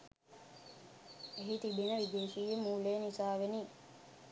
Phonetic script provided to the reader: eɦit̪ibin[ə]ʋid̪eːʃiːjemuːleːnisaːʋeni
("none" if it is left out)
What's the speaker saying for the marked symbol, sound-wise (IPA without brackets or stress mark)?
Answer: ə